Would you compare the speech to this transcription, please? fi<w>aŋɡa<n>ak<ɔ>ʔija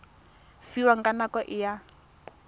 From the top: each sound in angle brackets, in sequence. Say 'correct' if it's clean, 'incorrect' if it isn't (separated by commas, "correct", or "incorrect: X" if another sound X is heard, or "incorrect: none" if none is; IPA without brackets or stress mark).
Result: correct, correct, correct